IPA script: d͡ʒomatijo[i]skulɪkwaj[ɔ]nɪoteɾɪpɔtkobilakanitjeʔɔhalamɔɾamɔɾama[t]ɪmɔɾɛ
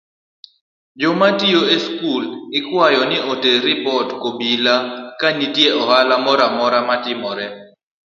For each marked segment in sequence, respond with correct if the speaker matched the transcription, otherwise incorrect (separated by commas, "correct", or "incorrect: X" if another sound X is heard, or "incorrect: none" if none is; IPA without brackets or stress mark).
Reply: incorrect: e, correct, correct